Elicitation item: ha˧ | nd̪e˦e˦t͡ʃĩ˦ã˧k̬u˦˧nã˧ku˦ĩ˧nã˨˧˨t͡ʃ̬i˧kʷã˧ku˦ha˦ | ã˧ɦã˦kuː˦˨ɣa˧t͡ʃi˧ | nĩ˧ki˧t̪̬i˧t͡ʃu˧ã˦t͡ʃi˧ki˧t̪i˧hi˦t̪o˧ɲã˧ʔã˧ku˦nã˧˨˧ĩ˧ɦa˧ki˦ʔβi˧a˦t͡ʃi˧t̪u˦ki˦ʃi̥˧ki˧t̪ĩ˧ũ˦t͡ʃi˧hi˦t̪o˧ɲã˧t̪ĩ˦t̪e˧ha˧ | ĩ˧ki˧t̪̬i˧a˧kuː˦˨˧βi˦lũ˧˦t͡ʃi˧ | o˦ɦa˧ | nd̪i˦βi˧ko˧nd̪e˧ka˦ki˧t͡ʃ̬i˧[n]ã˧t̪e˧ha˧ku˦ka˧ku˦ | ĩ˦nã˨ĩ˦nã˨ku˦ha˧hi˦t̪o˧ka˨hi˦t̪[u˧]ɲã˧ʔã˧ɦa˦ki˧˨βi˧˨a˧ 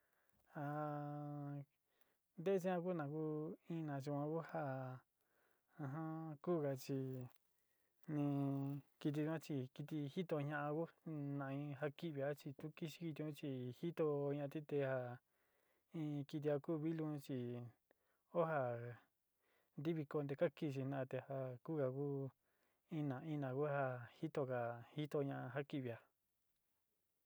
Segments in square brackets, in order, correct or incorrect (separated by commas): correct, incorrect